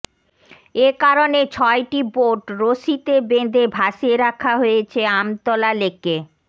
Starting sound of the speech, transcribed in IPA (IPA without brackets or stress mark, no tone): e